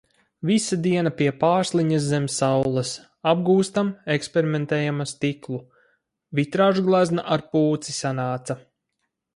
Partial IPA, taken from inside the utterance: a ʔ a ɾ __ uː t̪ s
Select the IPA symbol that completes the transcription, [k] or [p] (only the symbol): p